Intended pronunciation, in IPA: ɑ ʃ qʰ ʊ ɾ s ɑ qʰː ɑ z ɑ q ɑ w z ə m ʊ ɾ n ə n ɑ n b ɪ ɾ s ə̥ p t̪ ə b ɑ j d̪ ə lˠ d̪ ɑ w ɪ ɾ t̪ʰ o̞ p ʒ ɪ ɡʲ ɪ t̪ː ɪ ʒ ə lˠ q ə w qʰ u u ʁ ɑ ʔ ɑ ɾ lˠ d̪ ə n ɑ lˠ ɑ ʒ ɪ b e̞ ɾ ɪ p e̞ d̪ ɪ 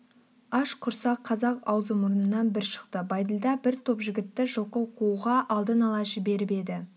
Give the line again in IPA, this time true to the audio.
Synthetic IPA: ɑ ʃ qʰ ʊ ɾ s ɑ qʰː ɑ z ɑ q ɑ w z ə m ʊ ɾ n ə n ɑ n b ɪ ɾ ʃ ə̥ q t̪ ə b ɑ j d̪ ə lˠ d̪ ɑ b ɪ ɾ t̪ʰ o̞ p ʒ ɪ ɡʲ ɪ t̪ː ɪ ʒ ə lˠ q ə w qʰ u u ʁ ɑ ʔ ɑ lˠ d̪ ə n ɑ lˠ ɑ ʒ ɪ b e̞ ɾ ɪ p e̞ d̪ ɪ

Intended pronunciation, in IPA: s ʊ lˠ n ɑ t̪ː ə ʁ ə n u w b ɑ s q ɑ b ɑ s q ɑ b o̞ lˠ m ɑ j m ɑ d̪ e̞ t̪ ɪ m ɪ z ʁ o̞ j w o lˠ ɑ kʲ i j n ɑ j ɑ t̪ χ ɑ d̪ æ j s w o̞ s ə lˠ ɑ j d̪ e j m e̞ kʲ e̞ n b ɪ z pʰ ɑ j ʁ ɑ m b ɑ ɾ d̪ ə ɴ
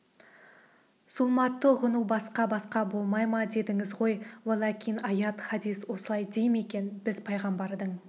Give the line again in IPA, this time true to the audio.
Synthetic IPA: s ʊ lˠ m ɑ t̪ː ə ʁ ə n u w b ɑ s q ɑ b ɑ s q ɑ b o̞ lˠ m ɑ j m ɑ d̪ e̞ d̪ ɪ ŋ ɪ z ʁ o̞ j w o lˠ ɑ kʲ i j n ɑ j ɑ t̪ χ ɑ d̪ i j s w o̞ s ə lˠ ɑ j d̪ e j m e̞ kʲ e̞ n b ɪ z pʰ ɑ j ʁ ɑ m b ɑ ɾ d̪ ə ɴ

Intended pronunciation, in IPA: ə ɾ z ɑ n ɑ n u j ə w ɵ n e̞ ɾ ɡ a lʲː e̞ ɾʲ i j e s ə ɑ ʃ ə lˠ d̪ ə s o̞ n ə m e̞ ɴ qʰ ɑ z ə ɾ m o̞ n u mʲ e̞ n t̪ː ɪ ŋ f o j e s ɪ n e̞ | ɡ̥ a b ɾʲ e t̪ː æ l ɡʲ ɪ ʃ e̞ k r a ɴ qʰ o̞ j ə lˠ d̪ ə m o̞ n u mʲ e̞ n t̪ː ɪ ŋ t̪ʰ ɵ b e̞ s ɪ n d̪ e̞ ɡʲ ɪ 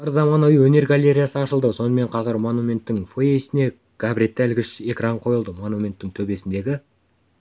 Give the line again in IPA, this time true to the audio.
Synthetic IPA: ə ɾ z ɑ m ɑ n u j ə w ɵ n e̞ ɾ ɡ a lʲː e̞ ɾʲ i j a s ə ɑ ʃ ə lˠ d̪ ə s o̞ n ə m e̞ ɴ qʰ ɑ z ə ɾ m o̞ n u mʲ e̞ n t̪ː ɪ ŋ f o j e s ɪ n e̞ | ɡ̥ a b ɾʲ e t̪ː æ l ɡʲ ɪ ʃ e̞ k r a ɴ qʰ o̞ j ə lˠ d̪ ə m o̞ n u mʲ e̞ n t̪ː ɪ ŋ t̪ʰ ɵ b e̞ s ɪ n d̪ e̞ ɡʲ ɪ

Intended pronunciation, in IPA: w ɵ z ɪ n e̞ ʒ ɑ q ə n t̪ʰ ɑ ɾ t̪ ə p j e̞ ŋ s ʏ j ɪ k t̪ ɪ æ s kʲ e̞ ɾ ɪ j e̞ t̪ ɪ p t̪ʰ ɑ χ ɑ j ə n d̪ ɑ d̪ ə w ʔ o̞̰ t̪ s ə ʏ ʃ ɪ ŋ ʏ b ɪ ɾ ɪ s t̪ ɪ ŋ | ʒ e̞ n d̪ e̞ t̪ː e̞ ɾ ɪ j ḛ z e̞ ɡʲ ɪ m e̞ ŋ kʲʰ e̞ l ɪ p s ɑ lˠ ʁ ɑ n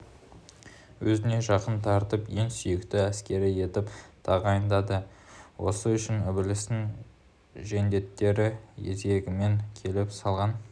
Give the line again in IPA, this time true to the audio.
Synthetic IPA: w ɵ z ɪ n e̞ ʒ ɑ q ə n t̪ʰ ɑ ɾ t̪ ə p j e̞ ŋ s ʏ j ɪ k t̪ ɪ æ s kʲ e̞ ɾ ɪ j e̞ t̪ ɪ p t̪ʰ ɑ ʁ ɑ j ə n d̪ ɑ d̪ ə w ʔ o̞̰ s ə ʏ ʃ ɪ n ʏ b ɪ l ɪ s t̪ ɪ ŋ | ʒ e̞ n d̪ e̞ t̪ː e̞ ɾ ɪ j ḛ z e̞ ɡʲ ɪ m e̞ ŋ kʲʰ e̞ l ɪ p s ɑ lˠ ʁ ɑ n

